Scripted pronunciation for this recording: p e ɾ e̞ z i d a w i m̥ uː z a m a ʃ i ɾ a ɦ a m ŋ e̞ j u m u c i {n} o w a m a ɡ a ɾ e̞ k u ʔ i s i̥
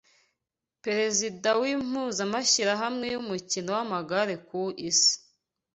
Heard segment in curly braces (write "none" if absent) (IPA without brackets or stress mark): n